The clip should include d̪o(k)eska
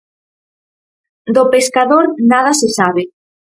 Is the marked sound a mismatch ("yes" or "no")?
yes